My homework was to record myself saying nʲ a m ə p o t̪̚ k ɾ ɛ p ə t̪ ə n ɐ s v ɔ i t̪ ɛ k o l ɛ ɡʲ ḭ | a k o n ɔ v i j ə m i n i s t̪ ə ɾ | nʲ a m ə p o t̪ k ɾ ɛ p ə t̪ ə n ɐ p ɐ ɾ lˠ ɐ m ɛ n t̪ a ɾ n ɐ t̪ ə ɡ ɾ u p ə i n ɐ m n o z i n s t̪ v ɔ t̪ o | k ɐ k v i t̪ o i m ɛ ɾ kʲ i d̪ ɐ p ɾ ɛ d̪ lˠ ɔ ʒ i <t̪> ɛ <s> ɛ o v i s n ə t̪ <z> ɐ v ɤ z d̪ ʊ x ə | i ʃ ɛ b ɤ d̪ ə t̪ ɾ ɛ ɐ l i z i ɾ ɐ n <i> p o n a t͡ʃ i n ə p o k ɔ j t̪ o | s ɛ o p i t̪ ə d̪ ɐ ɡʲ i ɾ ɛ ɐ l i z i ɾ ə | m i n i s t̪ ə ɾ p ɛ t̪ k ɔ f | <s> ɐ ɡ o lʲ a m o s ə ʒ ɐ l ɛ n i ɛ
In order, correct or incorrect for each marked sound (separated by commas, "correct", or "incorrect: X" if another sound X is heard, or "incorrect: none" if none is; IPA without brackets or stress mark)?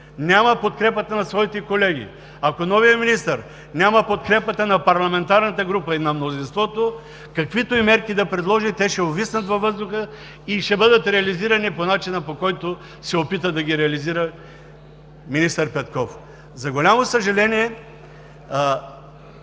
correct, incorrect: ʃ, incorrect: v, correct, incorrect: z